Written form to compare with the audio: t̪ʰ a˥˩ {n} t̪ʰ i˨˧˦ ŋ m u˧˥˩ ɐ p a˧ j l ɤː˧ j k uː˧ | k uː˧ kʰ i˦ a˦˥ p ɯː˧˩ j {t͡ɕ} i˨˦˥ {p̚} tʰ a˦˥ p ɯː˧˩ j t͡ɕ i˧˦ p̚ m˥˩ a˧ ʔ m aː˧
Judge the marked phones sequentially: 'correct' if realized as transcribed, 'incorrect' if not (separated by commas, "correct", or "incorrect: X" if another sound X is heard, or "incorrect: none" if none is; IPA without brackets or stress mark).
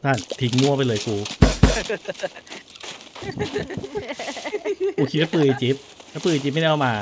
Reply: correct, correct, correct